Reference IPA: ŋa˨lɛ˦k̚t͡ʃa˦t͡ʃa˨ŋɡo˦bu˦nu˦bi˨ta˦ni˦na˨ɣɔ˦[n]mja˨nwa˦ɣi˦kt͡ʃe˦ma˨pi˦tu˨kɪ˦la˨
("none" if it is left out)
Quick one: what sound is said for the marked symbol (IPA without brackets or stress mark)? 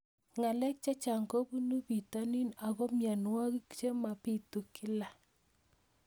none